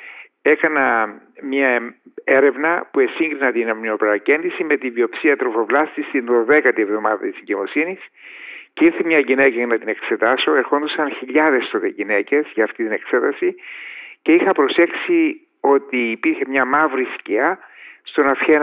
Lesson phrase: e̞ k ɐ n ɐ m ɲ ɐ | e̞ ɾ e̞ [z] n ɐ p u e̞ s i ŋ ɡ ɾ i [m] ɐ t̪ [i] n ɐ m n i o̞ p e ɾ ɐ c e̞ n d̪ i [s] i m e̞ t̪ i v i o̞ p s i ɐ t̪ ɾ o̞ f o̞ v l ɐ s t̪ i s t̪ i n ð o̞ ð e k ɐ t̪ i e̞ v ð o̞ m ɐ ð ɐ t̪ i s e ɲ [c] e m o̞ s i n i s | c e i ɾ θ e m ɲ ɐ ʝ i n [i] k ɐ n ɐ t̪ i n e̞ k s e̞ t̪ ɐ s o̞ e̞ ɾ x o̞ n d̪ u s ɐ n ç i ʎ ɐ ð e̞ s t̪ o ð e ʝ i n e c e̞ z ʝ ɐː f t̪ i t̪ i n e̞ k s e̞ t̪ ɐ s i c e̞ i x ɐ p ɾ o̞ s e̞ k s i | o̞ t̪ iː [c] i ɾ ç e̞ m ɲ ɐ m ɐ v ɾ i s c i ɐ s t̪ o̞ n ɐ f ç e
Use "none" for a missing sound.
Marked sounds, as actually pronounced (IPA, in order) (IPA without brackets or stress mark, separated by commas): v, n, i, s, ɟ, e, p